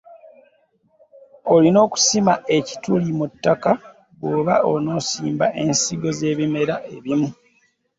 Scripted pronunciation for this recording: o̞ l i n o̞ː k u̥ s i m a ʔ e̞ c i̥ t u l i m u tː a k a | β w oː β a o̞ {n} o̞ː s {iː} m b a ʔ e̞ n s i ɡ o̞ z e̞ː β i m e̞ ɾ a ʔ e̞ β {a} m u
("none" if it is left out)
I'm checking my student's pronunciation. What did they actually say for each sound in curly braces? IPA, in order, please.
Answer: n, iː, i

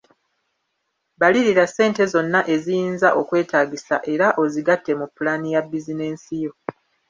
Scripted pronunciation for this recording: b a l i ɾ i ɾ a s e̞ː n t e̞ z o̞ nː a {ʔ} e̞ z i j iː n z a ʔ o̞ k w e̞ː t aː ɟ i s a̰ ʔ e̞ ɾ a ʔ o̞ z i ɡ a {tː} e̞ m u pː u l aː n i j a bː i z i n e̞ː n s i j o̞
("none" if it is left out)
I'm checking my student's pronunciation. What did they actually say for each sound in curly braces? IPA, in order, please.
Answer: ʔ, tː

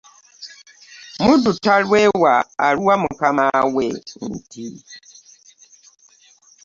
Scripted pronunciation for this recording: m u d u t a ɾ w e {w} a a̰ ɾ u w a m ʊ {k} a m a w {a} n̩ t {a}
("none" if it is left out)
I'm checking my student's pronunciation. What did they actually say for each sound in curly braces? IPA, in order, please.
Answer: w, k, e, i

